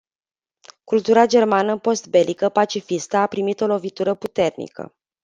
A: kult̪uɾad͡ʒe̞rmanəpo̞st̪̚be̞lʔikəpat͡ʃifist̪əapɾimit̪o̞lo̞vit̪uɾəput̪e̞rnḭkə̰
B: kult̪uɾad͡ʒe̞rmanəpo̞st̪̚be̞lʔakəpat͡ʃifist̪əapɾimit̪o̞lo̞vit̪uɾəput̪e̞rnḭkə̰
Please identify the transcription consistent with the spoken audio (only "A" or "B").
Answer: A